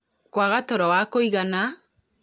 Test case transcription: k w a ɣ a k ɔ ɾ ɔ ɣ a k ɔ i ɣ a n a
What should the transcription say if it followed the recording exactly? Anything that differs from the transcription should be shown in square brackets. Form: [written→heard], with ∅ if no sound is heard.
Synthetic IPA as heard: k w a ɣ a [k→t] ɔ ɾ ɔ [ɣ→w] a k [ɔ→o] i ɣ a n a